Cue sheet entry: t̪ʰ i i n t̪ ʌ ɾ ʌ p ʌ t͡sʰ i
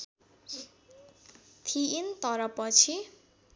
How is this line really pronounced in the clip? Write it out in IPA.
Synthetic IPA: t̪ʰ i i n t̪ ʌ ɾ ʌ p ʌ t͡sʰ i